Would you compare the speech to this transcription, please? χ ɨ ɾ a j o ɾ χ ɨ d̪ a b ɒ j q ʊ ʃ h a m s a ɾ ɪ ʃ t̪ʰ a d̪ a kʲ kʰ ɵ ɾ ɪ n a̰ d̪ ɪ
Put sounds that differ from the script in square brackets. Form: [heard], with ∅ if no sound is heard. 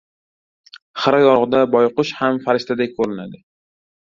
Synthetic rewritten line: χ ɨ ɾ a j [ɒ] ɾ [ʁ] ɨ d̪ a b ɒ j q ʊ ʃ h a m [f] a ɾ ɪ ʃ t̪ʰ a d̪ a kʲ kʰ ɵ ɾ ɪ n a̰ d̪ ɪ